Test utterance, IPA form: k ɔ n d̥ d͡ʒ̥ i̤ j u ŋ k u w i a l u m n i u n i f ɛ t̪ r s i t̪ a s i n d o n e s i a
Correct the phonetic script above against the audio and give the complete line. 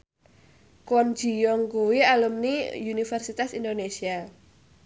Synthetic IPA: k ɔ n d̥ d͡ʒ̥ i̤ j ɔ ŋ k u w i a l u m n i u n i f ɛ r s i t̪ a s i n d o n e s i a